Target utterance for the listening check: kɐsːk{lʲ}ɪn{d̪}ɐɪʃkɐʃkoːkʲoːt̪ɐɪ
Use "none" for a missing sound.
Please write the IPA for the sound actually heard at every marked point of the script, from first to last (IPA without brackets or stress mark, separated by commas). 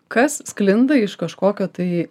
lʲ, d̪